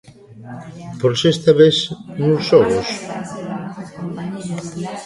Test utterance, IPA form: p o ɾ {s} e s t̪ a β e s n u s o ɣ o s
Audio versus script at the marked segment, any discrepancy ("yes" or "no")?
no